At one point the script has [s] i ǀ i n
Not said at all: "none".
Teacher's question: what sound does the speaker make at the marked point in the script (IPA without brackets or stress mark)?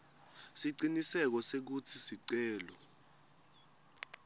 s